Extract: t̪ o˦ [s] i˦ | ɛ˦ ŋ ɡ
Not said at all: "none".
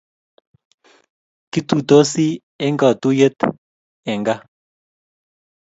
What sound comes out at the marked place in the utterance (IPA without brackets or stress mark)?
s